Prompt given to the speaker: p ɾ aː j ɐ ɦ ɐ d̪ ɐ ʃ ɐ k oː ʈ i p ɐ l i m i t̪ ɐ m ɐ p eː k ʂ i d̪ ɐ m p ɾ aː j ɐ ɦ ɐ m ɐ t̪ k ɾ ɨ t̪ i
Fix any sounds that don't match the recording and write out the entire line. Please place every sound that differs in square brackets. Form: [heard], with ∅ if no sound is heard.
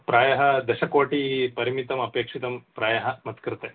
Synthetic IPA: p ɾ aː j ɐ ɦ ɐ d̪ ɐ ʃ ɐ k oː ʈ i p ɐ [ɾ] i m i t̪ ɐ m ɐ p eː k ʂ i [t̪] ɐ m p ɾ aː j ɐ ɦ ɐ m ɐ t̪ k ɾ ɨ t̪ [e]